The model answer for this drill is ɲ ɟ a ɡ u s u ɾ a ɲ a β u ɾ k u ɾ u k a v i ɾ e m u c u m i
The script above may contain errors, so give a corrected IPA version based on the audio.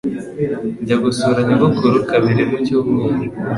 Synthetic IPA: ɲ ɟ a ɡ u s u ɾ a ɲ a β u k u ɾ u k a β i ɾ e m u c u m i